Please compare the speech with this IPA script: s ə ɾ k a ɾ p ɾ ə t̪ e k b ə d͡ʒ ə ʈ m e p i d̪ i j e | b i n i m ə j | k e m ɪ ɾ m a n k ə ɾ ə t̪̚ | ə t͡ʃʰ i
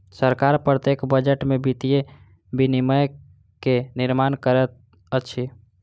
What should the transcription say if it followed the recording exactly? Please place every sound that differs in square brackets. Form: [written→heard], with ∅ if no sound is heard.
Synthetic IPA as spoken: s ə ɾ k a ɾ p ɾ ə t̪ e k b ə d͡ʒ ə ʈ m e [p→b] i [d̪→t̪] i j e | b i n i m ə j | k e [m→n] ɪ ɾ m a n k ə ɾ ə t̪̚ | ə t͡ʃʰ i